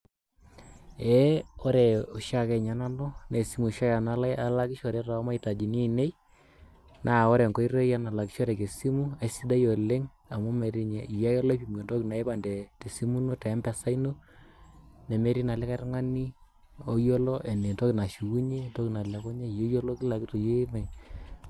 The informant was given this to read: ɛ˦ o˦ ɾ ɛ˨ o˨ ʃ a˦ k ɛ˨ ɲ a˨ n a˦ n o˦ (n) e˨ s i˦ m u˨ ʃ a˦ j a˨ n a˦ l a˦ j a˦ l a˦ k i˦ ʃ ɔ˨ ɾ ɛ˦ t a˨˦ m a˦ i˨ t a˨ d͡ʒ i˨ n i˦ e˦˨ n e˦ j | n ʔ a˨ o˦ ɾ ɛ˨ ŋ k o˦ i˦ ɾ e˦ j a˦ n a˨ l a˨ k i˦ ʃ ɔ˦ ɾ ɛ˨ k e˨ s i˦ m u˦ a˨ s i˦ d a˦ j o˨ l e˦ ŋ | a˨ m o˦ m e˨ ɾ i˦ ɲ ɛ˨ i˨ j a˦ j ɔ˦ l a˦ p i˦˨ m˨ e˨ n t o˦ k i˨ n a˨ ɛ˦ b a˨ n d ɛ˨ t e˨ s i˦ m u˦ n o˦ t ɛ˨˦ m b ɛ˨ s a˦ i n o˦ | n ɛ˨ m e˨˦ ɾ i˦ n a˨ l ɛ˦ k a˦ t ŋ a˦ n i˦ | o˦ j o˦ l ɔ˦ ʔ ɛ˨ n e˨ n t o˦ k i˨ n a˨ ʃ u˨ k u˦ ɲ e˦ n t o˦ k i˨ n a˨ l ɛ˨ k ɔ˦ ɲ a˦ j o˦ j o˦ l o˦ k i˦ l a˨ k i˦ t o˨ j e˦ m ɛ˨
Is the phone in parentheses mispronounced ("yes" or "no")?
no